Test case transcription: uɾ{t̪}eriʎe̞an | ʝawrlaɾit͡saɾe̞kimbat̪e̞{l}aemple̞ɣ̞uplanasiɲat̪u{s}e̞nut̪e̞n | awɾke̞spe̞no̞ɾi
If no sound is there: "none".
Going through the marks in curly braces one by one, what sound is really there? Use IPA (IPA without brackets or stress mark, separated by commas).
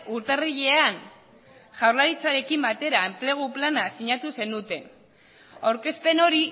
t̪, ɾ, s